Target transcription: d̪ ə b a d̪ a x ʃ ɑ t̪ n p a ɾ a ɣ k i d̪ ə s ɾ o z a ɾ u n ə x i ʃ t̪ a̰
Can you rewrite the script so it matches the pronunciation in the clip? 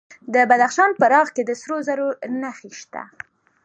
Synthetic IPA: d̪ ə b a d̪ a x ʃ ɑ n p ə ɾ ɑ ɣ k e d̪ ə s ɾ o z a ɾ o n a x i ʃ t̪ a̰